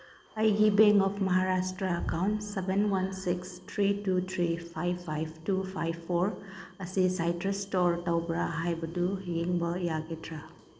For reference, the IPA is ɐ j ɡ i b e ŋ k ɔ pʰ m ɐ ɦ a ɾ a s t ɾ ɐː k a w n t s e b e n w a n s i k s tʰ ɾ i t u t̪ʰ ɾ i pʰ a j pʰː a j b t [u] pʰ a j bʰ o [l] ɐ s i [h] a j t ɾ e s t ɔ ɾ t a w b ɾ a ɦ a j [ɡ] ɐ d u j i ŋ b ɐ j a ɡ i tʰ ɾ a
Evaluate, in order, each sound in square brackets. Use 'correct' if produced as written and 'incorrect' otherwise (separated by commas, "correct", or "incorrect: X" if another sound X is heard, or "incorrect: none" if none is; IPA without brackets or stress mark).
correct, incorrect: ɾ, incorrect: s, incorrect: b